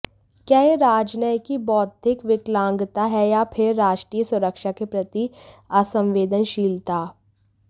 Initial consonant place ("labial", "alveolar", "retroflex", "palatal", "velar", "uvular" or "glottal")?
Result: velar